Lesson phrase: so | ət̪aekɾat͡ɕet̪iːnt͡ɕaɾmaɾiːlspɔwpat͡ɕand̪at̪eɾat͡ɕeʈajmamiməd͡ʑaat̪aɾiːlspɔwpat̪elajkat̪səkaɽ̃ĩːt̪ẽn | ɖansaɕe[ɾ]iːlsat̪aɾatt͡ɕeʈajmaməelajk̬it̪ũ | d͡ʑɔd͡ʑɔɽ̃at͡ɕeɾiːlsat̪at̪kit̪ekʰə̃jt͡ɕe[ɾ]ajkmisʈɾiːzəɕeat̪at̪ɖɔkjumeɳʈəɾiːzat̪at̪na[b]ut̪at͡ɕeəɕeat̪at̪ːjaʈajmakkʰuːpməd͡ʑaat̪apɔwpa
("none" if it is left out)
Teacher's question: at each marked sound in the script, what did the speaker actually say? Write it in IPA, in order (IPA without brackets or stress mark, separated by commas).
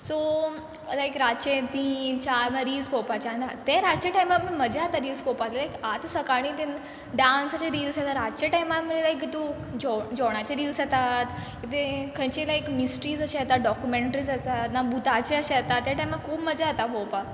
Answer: ɾ, l, b